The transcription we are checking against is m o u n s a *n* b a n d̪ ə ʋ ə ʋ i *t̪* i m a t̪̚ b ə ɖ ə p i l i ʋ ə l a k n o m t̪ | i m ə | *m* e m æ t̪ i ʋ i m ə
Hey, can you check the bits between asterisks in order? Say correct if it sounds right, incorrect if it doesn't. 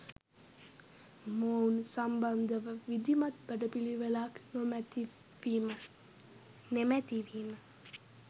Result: incorrect: m, incorrect: d̪, incorrect: n

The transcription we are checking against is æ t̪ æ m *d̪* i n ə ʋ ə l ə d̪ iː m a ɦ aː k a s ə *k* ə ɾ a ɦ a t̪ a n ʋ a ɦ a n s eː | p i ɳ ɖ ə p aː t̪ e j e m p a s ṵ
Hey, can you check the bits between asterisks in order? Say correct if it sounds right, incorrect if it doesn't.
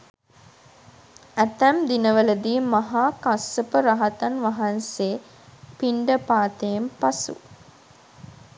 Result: correct, incorrect: p

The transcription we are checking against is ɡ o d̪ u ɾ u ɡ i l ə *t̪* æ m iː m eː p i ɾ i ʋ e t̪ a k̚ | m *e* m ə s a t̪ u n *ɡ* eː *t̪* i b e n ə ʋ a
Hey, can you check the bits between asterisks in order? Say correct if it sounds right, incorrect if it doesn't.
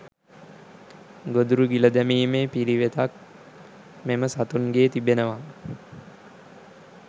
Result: incorrect: d̪, correct, correct, correct

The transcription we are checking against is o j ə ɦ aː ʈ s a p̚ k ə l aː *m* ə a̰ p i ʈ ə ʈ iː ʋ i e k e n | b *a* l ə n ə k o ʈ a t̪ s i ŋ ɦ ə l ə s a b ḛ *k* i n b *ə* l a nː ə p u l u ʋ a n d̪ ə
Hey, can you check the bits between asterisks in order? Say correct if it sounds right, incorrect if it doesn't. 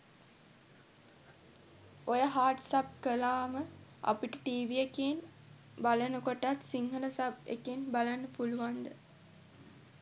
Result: correct, correct, correct, incorrect: a

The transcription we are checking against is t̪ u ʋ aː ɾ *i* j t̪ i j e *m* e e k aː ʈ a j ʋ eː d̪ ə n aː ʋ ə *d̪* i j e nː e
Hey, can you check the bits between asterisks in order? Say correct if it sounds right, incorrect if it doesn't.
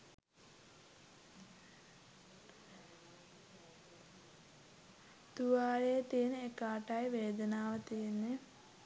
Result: incorrect: e, incorrect: n, incorrect: t̪

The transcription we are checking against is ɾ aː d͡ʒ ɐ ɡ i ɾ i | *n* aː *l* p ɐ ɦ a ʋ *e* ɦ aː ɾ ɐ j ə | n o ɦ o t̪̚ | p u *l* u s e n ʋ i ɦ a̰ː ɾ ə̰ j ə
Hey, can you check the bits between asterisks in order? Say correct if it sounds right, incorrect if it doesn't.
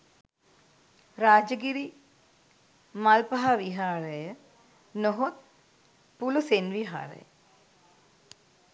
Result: incorrect: m, correct, incorrect: i, correct

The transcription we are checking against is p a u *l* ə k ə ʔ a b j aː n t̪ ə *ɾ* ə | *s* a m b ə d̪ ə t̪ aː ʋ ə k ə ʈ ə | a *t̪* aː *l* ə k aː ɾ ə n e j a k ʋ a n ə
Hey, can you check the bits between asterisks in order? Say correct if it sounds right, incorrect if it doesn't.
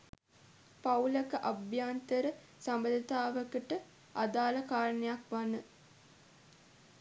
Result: correct, correct, correct, incorrect: d̪, correct

